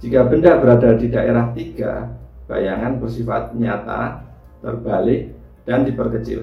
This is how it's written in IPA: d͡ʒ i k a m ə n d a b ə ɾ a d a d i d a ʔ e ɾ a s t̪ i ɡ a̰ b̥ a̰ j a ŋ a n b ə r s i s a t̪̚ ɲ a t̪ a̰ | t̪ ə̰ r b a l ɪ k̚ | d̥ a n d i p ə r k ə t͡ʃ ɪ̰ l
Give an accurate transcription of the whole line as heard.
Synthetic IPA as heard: d͡ʒ i k a b ə n d a b ə ɾ a d a d i d a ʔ e ɾ a h t̪ i ɡ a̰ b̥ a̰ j a ŋ a n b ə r s i f a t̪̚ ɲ a t̪ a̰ | t̪ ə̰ r b a l ɪ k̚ | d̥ a n d i p ə r k ə t͡ʃ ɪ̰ l